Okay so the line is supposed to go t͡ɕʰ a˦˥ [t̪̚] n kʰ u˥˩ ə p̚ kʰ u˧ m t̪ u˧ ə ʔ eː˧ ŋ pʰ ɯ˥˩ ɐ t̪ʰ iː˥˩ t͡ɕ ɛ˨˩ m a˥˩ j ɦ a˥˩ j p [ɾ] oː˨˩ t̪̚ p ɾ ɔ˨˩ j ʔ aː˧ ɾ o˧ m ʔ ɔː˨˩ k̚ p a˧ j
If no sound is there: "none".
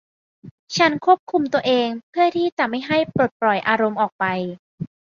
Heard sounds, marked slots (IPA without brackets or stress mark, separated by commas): none, ɾ